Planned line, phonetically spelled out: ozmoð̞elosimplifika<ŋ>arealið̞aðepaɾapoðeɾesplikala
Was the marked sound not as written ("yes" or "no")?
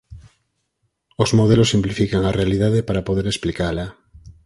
no